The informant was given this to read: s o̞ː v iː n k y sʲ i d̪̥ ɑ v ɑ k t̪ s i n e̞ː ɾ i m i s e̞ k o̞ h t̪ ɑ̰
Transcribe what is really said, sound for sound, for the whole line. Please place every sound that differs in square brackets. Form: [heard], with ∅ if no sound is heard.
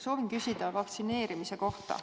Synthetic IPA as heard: s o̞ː v [i] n k y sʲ i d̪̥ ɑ v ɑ k t̪ s i n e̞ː ɾ i m i s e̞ k o̞ h t̪ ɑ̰